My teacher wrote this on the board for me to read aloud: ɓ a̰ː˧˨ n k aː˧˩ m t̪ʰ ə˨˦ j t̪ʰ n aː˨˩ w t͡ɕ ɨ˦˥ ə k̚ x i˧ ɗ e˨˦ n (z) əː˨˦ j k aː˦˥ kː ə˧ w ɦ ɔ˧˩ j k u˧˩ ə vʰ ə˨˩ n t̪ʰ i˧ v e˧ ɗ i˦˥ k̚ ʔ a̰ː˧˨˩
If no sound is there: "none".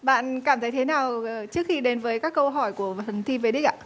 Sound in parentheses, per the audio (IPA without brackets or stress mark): v